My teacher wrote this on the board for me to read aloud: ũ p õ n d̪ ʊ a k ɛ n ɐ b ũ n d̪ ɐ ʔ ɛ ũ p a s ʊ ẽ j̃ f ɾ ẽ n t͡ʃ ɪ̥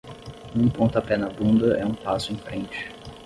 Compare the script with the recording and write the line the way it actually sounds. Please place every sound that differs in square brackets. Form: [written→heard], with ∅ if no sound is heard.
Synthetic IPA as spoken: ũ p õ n [d̪→t̪] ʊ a [k→p] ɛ n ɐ b ũ n d̪ ɐ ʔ ɛ ũ p a s ʊ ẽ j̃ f ɾ ẽ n t͡ʃ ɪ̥